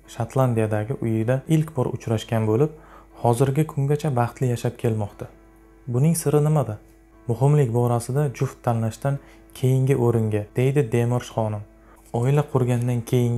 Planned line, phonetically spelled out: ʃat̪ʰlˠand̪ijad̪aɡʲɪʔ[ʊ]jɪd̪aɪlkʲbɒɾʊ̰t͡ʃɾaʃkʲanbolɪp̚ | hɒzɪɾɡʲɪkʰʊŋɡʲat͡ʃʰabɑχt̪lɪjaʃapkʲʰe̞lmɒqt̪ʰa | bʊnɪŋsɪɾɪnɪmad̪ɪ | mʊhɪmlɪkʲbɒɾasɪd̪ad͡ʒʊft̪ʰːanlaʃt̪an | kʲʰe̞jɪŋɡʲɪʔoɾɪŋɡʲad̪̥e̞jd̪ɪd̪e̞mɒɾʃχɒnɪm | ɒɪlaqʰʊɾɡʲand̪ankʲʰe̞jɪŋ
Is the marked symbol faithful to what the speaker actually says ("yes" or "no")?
yes